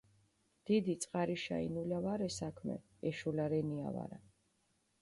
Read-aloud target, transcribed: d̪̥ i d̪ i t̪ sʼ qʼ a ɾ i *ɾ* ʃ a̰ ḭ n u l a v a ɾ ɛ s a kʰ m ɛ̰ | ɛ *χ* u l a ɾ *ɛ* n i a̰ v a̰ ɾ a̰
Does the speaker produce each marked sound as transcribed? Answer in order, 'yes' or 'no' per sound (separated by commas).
no, no, yes